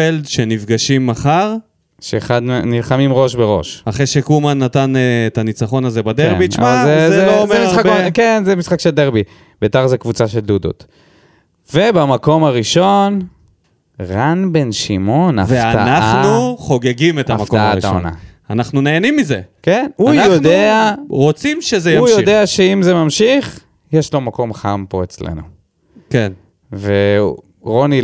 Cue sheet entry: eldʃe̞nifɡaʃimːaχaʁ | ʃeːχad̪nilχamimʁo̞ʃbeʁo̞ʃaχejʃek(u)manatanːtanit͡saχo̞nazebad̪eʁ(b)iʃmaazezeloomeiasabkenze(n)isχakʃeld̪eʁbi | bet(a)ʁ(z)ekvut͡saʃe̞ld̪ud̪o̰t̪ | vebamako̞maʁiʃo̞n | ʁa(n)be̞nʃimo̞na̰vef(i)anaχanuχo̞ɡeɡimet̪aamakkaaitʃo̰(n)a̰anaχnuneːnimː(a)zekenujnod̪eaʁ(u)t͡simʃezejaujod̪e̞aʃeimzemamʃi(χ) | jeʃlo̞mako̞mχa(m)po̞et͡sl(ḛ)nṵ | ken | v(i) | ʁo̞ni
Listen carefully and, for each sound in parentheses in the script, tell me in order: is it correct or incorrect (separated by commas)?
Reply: correct, correct, incorrect, correct, correct, correct, incorrect, correct, incorrect, incorrect, correct, correct, correct, incorrect